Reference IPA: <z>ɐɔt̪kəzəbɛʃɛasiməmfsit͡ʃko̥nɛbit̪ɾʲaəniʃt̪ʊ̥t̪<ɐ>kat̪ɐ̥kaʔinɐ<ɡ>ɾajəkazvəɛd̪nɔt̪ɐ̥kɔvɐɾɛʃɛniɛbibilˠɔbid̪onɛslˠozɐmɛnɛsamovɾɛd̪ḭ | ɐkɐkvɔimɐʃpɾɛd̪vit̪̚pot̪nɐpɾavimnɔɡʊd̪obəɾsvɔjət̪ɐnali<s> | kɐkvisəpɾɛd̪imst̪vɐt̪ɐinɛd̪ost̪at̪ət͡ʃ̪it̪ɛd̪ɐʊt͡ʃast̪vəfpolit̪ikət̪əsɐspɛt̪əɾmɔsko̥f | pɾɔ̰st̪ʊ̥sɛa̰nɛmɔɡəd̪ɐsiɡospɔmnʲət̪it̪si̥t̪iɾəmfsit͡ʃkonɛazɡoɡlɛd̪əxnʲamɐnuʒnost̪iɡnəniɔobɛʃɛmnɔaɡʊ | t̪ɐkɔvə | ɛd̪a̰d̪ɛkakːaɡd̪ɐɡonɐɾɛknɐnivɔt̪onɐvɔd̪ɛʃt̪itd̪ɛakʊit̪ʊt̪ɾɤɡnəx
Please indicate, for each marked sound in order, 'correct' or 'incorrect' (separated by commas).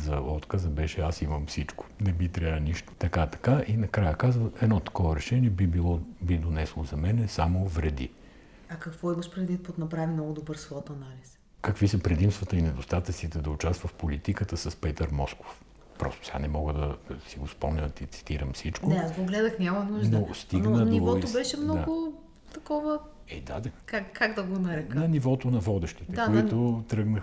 correct, correct, incorrect, correct